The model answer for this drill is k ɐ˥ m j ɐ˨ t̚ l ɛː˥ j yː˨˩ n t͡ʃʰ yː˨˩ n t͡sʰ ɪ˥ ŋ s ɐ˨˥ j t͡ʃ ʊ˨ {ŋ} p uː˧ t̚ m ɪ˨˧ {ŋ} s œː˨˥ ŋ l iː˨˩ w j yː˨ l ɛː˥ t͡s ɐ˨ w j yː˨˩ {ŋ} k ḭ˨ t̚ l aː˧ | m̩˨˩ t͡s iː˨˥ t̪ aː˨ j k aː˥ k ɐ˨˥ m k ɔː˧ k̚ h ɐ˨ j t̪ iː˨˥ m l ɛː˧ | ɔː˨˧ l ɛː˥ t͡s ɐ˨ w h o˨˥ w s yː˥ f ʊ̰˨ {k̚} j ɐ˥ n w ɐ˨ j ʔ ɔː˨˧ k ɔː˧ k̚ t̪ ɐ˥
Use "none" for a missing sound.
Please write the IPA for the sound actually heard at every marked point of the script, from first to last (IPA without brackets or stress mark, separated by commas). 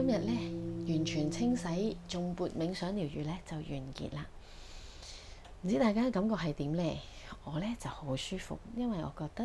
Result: ŋ, ŋ, n, k̚